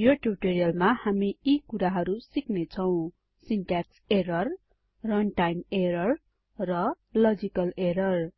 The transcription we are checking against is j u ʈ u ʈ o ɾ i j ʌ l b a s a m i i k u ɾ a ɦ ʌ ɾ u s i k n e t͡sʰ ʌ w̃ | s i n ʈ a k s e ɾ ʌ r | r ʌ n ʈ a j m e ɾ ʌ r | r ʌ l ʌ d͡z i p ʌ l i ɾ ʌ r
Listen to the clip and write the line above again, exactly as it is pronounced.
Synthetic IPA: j o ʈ u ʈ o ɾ i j ʌ l m a h a m i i k u ɾ a ɦ ʌ ɾ u s i k n e t͡sʰ ʌ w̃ | s i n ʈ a k s e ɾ ʌ r | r ʌ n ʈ a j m e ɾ ʌ r | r ʌ l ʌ d͡z i k ʌ l e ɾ ʌ r